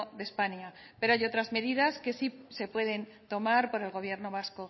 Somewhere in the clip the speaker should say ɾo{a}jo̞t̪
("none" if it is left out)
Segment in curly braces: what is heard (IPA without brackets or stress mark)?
a